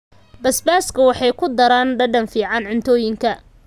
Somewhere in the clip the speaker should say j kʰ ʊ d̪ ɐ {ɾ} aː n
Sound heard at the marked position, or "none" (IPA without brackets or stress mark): ɾ